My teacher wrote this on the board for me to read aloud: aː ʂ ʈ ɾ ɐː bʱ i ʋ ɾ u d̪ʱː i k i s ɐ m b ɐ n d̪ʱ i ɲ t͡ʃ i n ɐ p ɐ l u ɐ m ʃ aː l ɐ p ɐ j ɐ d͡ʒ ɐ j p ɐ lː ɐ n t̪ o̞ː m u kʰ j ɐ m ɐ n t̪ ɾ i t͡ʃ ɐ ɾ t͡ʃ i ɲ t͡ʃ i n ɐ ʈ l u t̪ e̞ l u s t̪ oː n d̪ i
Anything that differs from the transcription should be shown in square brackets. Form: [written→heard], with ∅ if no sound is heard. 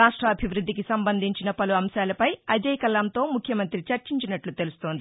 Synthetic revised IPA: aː ʂ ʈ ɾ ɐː bʱ i ʋ ɾ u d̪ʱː i k i s ɐ m b ɐ n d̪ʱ i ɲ t͡ʃ i n ɐ p ɐ l u ɐ m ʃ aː l ɐ p ɐ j ɐ d͡ʒ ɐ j [p→k] ɐ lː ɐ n t̪ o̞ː m u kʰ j ɐ m ɐ n t̪ ɾ i t͡ʃ ɐ ɾ t͡ʃ i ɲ t͡ʃ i n ɐ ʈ l u t̪ e̞ l u s t̪ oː n d̪ i